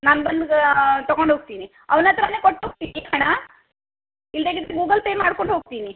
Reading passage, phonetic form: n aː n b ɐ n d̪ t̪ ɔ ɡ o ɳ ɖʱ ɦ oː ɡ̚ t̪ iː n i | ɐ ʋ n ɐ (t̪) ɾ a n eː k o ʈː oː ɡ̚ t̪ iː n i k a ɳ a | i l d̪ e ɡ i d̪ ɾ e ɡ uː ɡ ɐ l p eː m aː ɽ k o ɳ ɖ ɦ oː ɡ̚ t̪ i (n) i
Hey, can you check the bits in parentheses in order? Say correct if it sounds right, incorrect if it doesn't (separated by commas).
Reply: correct, correct